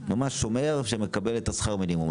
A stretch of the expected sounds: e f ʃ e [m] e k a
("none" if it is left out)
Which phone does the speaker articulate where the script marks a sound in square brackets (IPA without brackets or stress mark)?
m